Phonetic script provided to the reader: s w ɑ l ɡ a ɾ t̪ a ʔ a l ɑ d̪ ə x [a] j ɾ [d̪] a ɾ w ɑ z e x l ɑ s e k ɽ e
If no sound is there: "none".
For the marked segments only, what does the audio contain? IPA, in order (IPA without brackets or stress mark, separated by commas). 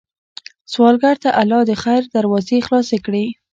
a, d̪